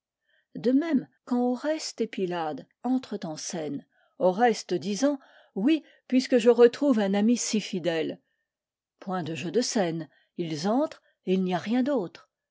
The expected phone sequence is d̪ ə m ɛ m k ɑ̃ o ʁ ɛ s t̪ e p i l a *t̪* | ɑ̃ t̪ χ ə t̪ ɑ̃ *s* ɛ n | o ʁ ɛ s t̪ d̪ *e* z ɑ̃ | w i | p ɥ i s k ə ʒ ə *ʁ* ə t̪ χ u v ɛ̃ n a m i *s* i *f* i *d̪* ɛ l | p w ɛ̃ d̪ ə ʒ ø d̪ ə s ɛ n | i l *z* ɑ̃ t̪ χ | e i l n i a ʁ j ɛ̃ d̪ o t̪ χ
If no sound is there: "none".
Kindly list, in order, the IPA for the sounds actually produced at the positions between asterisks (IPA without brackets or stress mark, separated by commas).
d̪, s, i, ʁ, s, f, d̪, z